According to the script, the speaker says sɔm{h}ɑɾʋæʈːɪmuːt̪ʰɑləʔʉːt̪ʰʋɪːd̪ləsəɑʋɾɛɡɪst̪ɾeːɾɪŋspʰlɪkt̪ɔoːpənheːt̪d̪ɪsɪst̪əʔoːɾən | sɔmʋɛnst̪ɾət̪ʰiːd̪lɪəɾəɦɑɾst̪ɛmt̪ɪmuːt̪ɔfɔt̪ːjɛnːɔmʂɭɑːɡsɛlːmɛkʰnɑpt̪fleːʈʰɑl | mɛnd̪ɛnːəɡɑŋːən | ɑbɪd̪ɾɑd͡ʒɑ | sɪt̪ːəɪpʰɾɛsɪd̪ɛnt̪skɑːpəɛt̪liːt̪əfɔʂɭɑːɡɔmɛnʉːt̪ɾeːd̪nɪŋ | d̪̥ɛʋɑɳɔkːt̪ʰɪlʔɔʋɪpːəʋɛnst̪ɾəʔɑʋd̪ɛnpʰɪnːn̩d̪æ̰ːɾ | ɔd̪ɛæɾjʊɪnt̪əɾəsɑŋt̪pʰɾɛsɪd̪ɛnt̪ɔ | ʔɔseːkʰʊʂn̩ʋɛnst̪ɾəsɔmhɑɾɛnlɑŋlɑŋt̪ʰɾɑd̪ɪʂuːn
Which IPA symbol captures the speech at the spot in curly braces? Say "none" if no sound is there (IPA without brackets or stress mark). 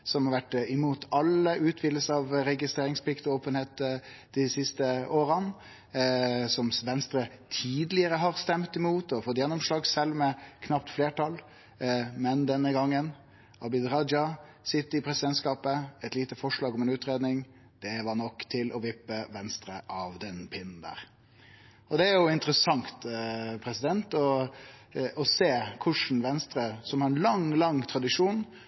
h